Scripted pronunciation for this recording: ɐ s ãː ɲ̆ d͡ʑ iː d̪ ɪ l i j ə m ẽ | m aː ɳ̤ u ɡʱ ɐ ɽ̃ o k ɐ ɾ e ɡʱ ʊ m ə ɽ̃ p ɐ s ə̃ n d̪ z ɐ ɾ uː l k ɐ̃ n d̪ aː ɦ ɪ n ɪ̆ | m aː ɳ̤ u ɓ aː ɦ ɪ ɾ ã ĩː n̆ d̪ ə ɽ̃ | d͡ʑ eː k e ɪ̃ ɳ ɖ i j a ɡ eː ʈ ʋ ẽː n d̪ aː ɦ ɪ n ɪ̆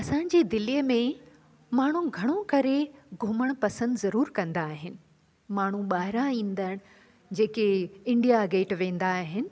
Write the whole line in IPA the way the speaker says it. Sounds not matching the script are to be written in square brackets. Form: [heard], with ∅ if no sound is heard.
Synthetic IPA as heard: ɐ s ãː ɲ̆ d͡ʑ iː d̪ ɪ l i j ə m ẽ | m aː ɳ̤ u ɡʱ ɐ ɽ̃ o k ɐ ɾ e ɡʱ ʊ m ə ɽ̃ p ɐ s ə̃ n d̪ z ɐ ɾ uː [ɾ] k ɐ̃ n d̪ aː ɦ ɪ n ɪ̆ | m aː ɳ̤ u ɓ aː ɦ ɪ ɾ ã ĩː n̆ d̪ ə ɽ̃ | d͡ʑ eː k e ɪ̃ ɳ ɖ i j a ɡ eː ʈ ʋ ẽː n d̪ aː ɦ ɪ n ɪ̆